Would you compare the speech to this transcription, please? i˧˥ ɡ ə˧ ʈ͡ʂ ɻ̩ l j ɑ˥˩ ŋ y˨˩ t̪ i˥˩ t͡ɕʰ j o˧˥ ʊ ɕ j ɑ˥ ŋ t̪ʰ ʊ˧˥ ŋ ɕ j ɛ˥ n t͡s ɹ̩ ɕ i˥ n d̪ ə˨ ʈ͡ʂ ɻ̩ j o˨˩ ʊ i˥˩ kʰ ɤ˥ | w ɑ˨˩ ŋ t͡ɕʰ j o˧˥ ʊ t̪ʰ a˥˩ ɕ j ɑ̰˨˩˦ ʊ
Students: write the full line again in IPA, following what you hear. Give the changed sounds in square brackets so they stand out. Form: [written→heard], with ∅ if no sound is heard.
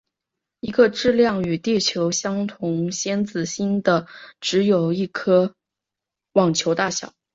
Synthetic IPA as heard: i˧˥ ɡ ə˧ ʈ͡ʂ ɻ̩ l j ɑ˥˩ ŋ y˨˩ t̪ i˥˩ t͡ɕʰ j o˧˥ ʊ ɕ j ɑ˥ ŋ t̪ʰ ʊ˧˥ ŋ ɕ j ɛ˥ n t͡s ɹ̩ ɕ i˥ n d̪ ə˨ ʈ͡ʂ ɻ̩ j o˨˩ ʊ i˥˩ kʰ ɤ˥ | w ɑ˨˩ ŋ t͡ɕʰ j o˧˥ ʊ [t̪ʰ→t̪] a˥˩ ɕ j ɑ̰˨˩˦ ʊ